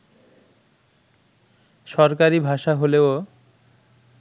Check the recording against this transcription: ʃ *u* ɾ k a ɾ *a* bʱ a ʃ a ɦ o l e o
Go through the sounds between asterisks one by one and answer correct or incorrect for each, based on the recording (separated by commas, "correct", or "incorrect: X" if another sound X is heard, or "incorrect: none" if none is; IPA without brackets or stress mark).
incorrect: ɔ, incorrect: i